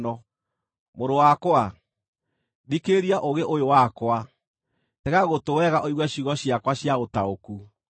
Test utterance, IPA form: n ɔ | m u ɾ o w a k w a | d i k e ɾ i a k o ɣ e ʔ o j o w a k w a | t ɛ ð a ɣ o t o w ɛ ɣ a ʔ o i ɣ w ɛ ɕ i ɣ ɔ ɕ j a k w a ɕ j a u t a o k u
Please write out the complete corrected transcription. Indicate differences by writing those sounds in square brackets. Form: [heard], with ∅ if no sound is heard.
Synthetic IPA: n ɔ | m [o] ɾ o w a k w a | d i k e ɾ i a [ʔ] o ɣ e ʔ o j o w a k w a | t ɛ [ɣ] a ɣ o t o w ɛ ɣ a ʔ o i ɣ w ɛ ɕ i ɣ ɔ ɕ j a k w a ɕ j a [o] t a o k u